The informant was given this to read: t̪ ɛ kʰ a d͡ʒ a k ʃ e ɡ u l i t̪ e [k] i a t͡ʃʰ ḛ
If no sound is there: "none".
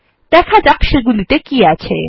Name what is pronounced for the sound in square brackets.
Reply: k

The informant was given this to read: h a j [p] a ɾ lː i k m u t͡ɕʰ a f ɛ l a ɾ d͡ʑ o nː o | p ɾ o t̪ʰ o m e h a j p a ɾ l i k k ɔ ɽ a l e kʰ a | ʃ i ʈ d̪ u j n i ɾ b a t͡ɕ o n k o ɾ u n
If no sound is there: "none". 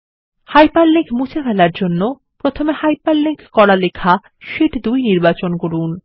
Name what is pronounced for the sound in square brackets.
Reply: p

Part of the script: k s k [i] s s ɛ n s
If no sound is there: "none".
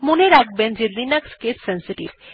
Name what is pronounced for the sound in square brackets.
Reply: e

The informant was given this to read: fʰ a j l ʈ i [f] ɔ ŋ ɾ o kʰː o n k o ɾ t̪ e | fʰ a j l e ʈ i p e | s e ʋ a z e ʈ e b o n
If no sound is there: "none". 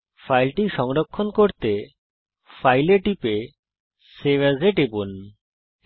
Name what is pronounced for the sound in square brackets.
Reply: ʃ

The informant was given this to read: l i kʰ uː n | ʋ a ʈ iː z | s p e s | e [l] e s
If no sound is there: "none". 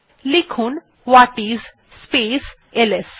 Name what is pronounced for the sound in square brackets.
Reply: l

